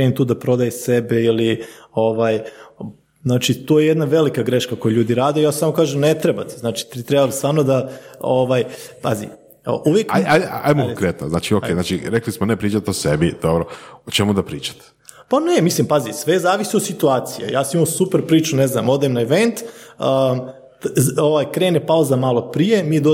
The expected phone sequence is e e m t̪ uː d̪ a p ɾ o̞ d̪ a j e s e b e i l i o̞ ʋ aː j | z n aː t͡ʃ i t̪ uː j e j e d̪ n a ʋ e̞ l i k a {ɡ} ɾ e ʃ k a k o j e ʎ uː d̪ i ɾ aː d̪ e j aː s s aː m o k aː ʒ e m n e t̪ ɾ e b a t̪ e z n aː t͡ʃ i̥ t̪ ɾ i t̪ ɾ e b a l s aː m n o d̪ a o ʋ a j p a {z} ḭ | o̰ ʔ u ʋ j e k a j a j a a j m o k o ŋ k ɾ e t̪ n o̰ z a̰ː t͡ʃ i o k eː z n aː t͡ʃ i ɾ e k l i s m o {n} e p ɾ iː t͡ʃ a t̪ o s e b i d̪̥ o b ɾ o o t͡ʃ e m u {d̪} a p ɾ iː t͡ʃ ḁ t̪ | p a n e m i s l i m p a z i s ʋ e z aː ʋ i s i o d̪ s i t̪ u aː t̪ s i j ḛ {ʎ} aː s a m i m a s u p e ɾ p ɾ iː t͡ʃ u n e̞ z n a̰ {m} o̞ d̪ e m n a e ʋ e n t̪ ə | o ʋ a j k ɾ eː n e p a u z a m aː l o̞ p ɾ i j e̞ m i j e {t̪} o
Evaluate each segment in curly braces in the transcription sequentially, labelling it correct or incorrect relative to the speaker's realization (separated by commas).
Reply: correct, correct, correct, correct, incorrect, correct, incorrect